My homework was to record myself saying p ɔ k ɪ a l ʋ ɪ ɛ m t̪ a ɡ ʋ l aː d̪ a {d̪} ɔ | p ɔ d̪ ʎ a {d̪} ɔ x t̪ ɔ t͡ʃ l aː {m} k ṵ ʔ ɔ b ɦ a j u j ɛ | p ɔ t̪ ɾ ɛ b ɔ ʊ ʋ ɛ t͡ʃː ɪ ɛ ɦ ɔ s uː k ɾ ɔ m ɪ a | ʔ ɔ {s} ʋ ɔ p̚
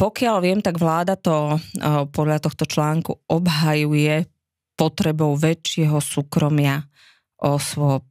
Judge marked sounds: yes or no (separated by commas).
no, no, no, yes